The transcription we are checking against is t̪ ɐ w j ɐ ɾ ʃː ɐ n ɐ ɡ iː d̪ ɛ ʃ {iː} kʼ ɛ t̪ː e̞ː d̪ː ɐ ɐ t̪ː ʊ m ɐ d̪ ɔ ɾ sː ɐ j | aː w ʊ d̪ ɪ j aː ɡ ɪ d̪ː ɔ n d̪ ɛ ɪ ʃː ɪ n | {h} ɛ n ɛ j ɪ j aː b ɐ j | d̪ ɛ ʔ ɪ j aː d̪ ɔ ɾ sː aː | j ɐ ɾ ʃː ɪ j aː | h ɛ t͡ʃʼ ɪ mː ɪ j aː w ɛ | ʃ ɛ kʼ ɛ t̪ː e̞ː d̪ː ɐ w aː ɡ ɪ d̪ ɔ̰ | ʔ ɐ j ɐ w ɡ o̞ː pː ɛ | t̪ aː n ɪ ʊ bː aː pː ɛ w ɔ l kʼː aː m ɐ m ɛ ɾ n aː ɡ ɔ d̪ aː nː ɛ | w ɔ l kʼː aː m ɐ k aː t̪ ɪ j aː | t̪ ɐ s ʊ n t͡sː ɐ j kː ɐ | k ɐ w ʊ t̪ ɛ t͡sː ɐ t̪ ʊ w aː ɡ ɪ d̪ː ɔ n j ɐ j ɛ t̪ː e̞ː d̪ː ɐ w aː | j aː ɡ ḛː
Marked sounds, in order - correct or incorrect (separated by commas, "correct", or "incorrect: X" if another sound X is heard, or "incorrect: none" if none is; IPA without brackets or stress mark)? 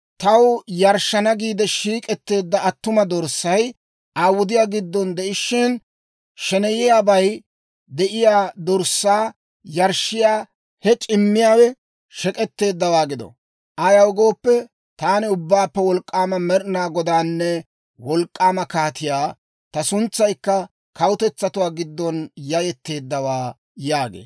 correct, incorrect: ʃ